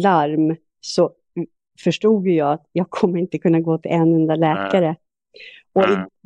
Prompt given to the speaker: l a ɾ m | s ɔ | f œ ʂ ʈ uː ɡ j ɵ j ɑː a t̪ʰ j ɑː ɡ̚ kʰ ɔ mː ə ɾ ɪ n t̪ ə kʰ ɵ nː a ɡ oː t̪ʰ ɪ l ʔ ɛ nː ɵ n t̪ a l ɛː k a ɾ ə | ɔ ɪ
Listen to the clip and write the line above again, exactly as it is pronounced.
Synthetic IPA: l a ɾ m | s ɔ | f œ ʂ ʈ uː ɡ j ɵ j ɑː a t̪ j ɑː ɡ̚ kʰ ɔ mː ə ɾ ɪ n t̪ ə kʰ ɵ nː a ɡ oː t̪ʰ ɪ l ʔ ɛ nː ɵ n d̪ a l ɛː k a ɾ ə | ɔ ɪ